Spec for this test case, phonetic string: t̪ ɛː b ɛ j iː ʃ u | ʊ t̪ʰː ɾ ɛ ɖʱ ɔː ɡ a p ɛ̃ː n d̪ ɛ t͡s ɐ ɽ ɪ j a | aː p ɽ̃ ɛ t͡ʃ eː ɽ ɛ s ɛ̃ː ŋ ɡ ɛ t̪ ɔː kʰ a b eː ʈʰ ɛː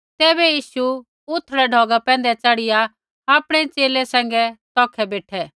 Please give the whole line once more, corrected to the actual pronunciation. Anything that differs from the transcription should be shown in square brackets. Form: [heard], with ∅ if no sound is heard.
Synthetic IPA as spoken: t̪ ɛː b ɛ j iː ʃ u | ʊ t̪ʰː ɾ ɛ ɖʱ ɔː ɡ a p ɛ̃ː n d̪ ɛ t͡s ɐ ɽ ɪ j a | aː p ɽ̃ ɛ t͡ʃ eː [l] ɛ s ɛ̃ː ŋ ɡ ɛ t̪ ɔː kʰ [ɛ] b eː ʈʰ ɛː